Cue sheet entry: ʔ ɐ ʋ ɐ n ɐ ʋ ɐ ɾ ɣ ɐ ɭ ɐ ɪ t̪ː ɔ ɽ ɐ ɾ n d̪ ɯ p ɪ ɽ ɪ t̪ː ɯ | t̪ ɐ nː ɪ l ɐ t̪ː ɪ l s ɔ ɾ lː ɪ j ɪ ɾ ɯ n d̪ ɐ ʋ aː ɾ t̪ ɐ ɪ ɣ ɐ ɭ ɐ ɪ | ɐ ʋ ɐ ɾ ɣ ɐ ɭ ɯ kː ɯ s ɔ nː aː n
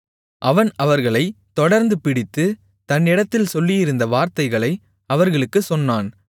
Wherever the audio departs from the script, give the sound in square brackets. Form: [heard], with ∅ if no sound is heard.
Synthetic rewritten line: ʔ ɐ ʋ ɐ n ɐ ʋ ɐ ɾ ɣ ɐ ɭ ɐ ɪ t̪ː ɔ ɽ ɐ ɾ n d̪ ɯ p ɪ ɽ ɪ t̪ː ɯ | t̪ ɐ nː ɪ [ɽ] ɐ t̪ː ɪ l s ɔ [∅] lː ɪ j ɪ ɾ ɯ n d̪ ɐ ʋ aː ɾ t̪ ɐ ɪ ɣ ɐ ɭ ɐ ɪ | ɐ ʋ ɐ ɾ ɣ ɐ ɭ ɯ kː ɯ s ɔ nː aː n

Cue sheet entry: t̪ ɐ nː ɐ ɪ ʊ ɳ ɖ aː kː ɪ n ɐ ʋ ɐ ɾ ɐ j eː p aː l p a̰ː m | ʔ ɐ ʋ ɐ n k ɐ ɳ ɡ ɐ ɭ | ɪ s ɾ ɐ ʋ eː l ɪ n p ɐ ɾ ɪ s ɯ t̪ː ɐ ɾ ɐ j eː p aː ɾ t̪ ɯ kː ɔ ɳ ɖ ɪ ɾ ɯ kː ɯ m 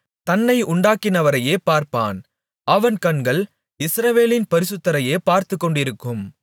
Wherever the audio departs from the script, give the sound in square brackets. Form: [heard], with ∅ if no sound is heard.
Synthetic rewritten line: t̪ ɐ nː ɐ ɪ ʊ ɳ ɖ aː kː ɪ n ɐ ʋ ɐ ɾ ɐ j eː p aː [ɾ] p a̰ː [n] | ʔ ɐ ʋ ɐ n k ɐ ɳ ɡ ɐ ɭ | ɪ s ɾ ɐ ʋ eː l ɪ n p ɐ ɾ ɪ s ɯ t̪ː ɐ ɾ ɐ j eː p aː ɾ t̪ ɯ kː ɔ ɳ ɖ ɪ ɾ ɯ kː ɯ m

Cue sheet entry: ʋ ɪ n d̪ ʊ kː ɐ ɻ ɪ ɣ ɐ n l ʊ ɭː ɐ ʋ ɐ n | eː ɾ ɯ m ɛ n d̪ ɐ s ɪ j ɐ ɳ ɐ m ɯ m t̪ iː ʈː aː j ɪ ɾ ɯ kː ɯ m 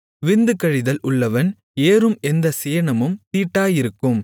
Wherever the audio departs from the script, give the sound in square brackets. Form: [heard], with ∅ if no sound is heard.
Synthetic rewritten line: ʋ ɪ n d̪ [ɯ] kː ɐ ɻ ɪ [ð] ɐ [∅] l ʊ ɭː ɐ ʋ ɐ n | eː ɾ ɯ m ɛ n d̪ ɐ s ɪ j ɐ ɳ ɐ m ɯ m t̪ iː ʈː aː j ɪ ɾ ɯ kː ɯ m

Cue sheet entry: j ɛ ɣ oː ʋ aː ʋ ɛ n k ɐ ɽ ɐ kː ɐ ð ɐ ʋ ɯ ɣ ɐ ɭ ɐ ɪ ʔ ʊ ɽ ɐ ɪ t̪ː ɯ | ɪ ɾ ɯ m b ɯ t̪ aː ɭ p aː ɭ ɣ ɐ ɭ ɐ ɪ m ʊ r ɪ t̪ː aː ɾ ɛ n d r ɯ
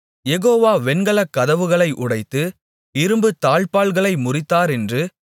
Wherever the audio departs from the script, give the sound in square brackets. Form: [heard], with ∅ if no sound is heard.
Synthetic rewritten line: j ɛ ɣ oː ʋ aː ʋ ɛ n [ɡ] ɐ [ɭ] ɐ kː ɐ ð ɐ ʋ ɯ ɣ ɐ ɭ ɐ ɪ ʔ ʊ ɽ ɐ ɪ t̪ː ɯ | ɪ ɾ ɯ m b ɯ t̪ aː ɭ p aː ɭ ɣ ɐ ɭ ɐ ɪ m ʊ r ɪ t̪ː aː ɾ ɛ n d r ɯ

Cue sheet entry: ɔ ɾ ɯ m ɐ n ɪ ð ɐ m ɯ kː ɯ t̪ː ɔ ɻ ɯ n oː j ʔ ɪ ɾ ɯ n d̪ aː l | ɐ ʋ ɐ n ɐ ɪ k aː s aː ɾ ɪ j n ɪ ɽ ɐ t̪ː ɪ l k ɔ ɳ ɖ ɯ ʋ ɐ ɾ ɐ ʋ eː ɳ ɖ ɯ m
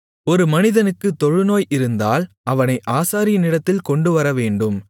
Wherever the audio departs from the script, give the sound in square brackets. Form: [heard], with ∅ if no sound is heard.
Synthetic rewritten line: ɔ ɾ ɯ m ɐ n ɪ ð ɐ [n] ɯ kː ɯ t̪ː ɔ ɻ ɯ n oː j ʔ ɪ ɾ ɯ n d̪ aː l | ɐ ʋ ɐ n ɐ ɪ [ʔ] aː s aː ɾ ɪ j n ɪ ɽ ɐ t̪ː ɪ l k ɔ ɳ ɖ ɯ ʋ ɐ ɾ ɐ ʋ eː ɳ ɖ ɯ m

